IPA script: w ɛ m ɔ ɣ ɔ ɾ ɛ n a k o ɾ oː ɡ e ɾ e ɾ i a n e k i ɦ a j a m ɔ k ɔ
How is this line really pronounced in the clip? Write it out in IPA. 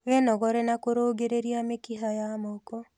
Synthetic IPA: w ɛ n ɔ ɣ ɔ ɾ ɛ n a k o ɾ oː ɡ e ɾ e ɾ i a m e k i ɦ a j a m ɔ k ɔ